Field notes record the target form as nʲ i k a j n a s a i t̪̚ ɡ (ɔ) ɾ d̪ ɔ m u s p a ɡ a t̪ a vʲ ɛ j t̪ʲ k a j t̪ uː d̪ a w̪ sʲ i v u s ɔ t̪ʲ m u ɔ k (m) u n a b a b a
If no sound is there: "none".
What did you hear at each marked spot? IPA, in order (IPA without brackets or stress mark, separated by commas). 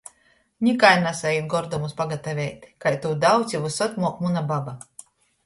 ɔ, m